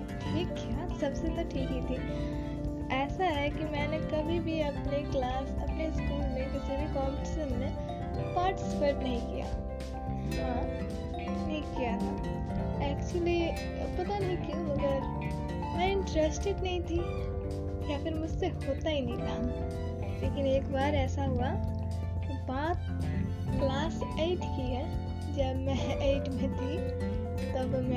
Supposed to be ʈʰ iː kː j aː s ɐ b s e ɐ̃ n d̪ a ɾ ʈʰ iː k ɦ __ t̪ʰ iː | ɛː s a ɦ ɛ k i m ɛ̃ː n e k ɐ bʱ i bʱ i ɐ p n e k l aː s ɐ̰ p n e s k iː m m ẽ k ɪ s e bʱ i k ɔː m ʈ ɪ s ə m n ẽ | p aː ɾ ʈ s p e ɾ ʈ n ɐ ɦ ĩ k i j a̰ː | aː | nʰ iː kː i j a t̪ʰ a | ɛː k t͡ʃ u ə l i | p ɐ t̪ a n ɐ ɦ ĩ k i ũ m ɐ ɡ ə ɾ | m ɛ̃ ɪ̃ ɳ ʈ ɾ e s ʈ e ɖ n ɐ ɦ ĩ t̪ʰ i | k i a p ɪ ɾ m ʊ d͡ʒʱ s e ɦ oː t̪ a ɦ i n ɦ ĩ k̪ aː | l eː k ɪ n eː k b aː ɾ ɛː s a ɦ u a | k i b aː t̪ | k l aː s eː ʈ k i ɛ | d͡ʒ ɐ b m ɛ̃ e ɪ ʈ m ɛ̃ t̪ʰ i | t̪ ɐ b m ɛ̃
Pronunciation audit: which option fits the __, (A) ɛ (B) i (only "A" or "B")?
B